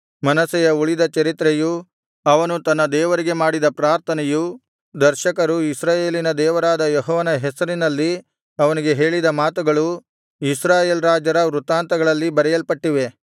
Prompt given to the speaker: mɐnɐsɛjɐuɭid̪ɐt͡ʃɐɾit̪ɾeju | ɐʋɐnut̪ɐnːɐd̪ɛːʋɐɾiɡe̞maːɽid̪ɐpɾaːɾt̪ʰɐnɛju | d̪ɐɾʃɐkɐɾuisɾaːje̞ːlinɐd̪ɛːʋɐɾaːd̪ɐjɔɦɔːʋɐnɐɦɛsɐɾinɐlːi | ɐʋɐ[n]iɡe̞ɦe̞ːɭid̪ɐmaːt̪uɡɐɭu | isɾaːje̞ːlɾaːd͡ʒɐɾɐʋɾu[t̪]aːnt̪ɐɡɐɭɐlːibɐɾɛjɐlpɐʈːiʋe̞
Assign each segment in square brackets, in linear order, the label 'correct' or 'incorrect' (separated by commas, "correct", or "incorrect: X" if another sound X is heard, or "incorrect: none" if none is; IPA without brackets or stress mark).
correct, correct